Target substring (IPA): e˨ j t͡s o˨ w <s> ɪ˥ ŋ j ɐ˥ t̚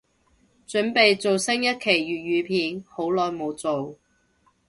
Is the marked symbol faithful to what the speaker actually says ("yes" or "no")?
yes